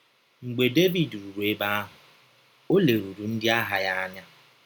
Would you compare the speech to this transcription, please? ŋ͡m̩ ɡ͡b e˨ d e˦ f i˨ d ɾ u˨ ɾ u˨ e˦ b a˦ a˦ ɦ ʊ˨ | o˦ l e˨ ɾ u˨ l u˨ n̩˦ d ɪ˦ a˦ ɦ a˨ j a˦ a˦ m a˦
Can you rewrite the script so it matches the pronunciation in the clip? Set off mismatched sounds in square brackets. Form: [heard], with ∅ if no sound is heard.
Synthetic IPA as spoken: ŋ͡m̩ ɡ͡b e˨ d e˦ [v] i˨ d ɾ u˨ ɾ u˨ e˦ b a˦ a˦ ɦ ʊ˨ | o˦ l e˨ ɾ u˨ [ɾ] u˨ n̩˦ d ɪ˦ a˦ ɦ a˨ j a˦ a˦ [ɲ] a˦